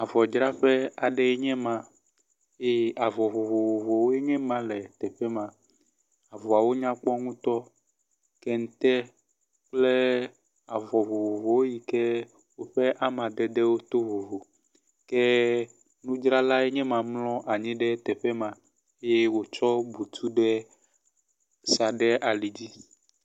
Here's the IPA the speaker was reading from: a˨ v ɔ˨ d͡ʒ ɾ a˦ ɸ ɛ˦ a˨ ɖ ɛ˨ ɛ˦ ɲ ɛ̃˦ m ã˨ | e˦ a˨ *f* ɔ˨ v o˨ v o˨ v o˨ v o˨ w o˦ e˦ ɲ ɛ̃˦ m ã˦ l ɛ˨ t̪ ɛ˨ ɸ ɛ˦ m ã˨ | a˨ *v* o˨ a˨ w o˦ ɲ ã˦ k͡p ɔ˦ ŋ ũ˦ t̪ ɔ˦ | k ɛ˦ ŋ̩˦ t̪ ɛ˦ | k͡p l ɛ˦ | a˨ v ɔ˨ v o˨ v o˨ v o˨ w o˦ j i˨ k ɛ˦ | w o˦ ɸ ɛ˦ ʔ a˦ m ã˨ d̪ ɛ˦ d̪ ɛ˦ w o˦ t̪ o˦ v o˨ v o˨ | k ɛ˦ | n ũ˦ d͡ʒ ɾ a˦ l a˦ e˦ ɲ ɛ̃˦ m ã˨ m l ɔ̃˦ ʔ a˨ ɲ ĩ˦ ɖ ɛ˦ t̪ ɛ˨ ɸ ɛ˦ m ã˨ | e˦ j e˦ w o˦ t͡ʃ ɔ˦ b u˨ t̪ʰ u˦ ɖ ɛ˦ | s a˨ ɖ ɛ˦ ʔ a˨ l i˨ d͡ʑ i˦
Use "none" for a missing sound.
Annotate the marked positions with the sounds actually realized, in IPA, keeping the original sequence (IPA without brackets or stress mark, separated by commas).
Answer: v, v